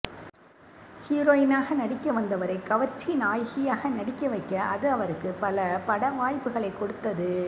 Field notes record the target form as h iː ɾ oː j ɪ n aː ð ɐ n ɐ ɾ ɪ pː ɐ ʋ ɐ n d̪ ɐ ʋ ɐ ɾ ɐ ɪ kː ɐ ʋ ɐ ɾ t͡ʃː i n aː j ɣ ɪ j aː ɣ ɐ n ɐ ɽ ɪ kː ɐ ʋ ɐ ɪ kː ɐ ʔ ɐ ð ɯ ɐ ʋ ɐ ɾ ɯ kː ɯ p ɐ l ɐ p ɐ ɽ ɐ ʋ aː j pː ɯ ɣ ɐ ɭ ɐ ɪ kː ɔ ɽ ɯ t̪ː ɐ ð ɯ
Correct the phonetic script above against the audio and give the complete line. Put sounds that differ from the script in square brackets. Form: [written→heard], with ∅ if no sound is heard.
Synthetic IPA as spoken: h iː ɾ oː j ɪ n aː [ð→ɣ] ɐ n ɐ [ɾ→ɽ] ɪ [pː→kː] ɐ ʋ ɐ n d̪ ɐ ʋ ɐ ɾ ɐ ɪ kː ɐ ʋ ɐ ɾ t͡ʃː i n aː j ɣ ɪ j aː ɣ ɐ n ɐ ɽ ɪ kː ɐ ʋ ɐ ɪ kː ɐ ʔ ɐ ð ɯ ɐ ʋ ɐ ɾ ɯ kː ɯ p ɐ l ɐ p ɐ ɽ ɐ ʋ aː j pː ɯ ɣ ɐ ɭ ɐ ɪ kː ɔ ɽ ɯ t̪ː ɐ ð ɯ